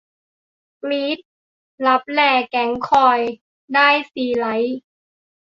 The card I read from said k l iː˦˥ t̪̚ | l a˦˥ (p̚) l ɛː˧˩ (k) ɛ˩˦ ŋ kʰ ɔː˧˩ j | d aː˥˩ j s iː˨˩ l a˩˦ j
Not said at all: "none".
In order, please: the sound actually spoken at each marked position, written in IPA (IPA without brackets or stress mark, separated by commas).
p̚, k